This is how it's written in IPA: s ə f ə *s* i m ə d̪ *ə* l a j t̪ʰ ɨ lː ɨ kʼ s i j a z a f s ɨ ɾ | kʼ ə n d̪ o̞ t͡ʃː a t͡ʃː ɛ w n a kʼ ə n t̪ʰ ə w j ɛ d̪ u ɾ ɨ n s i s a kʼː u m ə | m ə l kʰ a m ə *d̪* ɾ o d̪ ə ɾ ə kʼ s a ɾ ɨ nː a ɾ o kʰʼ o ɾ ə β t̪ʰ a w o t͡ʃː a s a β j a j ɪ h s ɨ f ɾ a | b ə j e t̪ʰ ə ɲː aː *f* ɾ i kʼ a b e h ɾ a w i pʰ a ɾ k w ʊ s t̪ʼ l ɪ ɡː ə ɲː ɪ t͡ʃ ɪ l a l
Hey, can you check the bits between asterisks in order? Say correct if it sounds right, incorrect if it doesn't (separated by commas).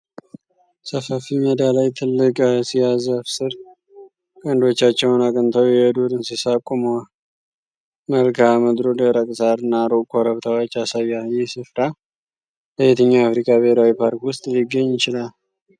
incorrect, incorrect, correct, correct